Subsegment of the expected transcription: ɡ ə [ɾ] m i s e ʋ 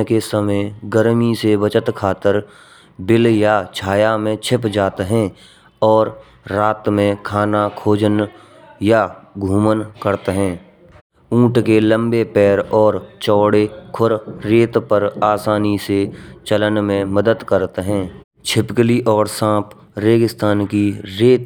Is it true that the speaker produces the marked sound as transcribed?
yes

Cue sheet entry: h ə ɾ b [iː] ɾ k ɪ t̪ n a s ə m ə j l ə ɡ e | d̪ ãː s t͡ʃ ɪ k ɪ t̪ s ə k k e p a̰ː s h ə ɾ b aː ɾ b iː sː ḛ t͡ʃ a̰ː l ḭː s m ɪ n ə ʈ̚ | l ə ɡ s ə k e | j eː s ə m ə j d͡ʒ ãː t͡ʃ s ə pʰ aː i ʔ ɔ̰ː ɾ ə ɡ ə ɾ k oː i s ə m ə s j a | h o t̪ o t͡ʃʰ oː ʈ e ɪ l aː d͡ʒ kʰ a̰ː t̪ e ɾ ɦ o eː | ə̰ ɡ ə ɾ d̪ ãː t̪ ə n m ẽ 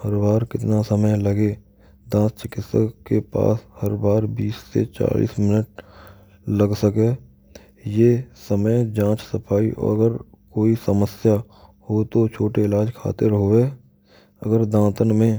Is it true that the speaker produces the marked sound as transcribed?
no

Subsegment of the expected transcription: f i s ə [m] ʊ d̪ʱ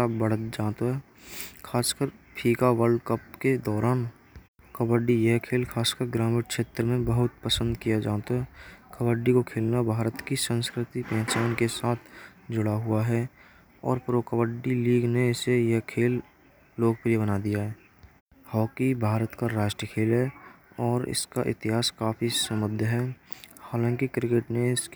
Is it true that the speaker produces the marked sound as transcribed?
yes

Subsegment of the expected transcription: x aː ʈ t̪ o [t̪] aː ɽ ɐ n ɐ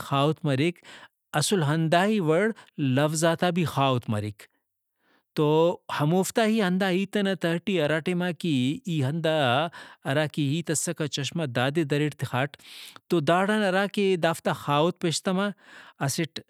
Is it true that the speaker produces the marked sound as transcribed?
no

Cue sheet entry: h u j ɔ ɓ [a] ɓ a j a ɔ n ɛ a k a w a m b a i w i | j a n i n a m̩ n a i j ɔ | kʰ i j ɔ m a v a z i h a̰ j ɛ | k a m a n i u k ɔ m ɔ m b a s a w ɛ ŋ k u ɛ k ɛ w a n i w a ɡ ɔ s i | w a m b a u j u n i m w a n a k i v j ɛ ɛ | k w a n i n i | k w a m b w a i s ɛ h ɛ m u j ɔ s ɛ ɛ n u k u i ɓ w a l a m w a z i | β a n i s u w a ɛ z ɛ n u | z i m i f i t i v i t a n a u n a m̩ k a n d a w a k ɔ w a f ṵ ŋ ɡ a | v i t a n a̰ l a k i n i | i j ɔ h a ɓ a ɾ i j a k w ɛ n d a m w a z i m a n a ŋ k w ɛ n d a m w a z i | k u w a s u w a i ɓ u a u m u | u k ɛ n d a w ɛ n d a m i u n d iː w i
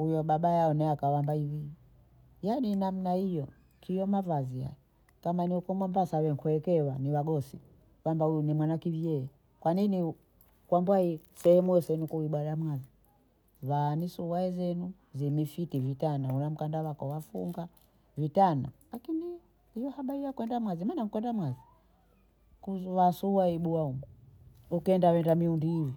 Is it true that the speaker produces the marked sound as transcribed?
yes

